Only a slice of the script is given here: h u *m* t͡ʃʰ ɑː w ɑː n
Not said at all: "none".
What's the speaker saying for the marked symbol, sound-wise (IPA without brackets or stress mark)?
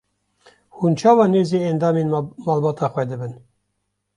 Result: n